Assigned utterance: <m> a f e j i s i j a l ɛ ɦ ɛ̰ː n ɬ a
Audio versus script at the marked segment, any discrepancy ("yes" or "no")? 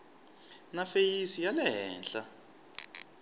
yes